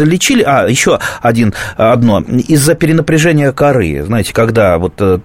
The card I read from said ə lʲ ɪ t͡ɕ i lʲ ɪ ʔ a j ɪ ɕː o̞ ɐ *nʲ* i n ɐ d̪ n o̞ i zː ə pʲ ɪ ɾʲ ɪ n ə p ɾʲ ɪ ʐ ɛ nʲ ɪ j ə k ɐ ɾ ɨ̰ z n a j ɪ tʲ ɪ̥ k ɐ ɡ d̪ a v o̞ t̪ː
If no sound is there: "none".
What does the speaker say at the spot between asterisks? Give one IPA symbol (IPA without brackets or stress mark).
dʲ